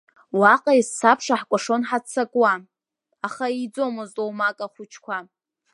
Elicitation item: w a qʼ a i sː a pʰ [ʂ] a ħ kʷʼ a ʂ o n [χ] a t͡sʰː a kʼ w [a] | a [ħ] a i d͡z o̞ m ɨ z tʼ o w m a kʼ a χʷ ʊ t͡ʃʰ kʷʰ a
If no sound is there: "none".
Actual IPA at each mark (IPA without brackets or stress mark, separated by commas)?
ʂ, ħ, a, χ